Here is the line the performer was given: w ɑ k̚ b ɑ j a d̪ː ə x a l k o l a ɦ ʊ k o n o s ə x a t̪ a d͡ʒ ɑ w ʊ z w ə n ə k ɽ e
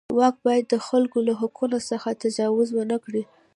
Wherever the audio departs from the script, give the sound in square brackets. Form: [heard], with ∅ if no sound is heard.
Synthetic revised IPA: w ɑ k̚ b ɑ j a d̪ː ə x a l k o l a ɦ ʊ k [u] n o s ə x a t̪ a d͡ʒ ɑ w ʊ z w ə n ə k ɽ [i]